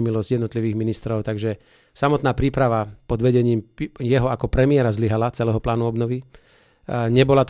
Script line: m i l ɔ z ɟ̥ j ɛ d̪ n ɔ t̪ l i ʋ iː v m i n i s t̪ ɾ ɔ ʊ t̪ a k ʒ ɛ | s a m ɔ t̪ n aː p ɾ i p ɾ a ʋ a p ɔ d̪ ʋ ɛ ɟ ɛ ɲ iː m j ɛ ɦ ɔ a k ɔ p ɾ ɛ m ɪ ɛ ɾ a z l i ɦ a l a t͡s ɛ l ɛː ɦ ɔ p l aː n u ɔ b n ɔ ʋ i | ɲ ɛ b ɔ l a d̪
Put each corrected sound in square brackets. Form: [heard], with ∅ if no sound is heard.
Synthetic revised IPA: m i l ɔ z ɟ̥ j ɛ d̪ n ɔ t̪ l i ʋ iː [ɣ] m i n i s t̪ ɾ ɔ ʊ t̪ a [ɡ] ʒ ɛ | s a m ɔ t̪ n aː p ɾ [iː] p ɾ a ʋ a p ɔ d̪ ʋ ɛ ɟ ɛ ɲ iː m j ɛ ɦ ɔ a k ɔ p ɾ ɛ m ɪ ɛ ɾ a z l i ɦ a l a t͡s ɛ l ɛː ɦ ɔ p l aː n u ɔ b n ɔ ʋ i | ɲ ɛ b ɔ l a [t̪]